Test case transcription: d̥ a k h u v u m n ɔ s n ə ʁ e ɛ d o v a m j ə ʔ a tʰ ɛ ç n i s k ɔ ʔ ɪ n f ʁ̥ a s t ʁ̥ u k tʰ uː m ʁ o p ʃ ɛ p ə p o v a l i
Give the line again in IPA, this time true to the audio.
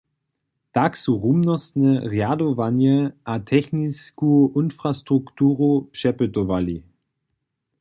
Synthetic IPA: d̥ a k s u ʁ u m n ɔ s n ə ʁ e a d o v a n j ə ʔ a tʰ ɛ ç n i s k u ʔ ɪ n f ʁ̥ a s t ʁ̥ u k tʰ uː ʁ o p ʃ ɛ p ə t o v a l i